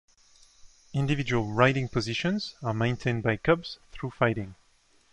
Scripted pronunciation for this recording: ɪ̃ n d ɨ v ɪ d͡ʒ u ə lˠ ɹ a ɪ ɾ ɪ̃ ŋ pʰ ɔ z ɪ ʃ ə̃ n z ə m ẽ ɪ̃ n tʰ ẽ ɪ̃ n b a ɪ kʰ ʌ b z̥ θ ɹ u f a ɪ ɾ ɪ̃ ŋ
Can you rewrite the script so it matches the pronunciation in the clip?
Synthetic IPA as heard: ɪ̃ n d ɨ v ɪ d͡ʒ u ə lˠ ɹ a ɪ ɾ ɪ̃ ŋ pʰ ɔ z ɪ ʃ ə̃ n z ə m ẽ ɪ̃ n tʰ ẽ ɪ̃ n b a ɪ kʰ ʌ b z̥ θ ɹ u f a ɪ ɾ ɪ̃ ŋ